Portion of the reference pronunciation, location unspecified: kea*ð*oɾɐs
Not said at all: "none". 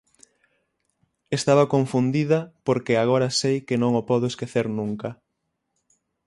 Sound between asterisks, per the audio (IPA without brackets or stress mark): ɣ